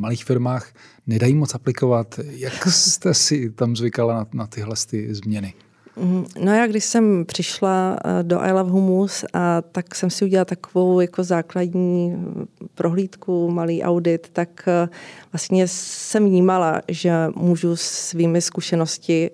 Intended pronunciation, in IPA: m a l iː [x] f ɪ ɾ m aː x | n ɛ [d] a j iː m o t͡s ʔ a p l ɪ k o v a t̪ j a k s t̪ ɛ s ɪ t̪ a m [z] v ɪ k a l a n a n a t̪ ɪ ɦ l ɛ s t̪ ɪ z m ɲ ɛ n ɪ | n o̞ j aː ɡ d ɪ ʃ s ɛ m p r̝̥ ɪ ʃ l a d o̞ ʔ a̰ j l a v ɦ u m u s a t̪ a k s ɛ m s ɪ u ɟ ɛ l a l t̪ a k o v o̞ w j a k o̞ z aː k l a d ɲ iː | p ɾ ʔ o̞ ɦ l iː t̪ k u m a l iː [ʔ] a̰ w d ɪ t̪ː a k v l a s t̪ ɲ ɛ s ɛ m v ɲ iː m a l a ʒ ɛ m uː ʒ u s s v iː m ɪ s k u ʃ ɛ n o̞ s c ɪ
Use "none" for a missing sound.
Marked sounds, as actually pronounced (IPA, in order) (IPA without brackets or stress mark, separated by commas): x, d, z, ʔ